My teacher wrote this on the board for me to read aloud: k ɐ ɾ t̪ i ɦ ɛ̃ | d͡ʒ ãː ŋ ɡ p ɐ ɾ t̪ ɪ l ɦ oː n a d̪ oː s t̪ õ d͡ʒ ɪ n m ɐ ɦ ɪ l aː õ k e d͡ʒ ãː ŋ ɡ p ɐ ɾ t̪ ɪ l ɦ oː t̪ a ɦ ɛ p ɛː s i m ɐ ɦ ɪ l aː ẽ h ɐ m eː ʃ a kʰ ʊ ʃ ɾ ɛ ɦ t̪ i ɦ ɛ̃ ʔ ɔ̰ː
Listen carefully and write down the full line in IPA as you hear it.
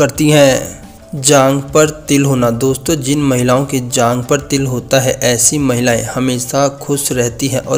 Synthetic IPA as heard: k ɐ ɾ t̪ i ɦ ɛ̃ | d͡ʒ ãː ŋ ɡ p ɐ ɾ t̪ ɪ l ɦ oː n a d̪ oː s t̪ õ d͡ʒ ɪ n m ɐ ɦ ɪ l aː õ k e d͡ʒ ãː ŋ ɡ p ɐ ɾ t̪ ɪ l ɦ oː t̪ a ɦ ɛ ʔ ɛː s i m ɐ ɦ ɪ l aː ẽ h ɐ m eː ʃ a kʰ ʊ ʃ ɾ ɛ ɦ t̪ i ɦ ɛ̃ ʔ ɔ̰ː